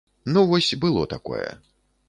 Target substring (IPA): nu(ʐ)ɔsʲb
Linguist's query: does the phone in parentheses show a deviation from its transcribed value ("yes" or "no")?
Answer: yes